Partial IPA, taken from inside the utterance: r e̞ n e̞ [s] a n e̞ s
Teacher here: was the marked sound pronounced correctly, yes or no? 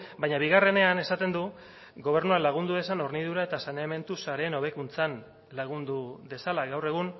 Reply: no